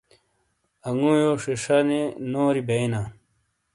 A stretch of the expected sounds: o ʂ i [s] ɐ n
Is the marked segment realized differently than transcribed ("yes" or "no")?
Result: yes